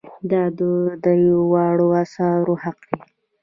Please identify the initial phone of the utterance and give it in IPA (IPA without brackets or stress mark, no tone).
d̪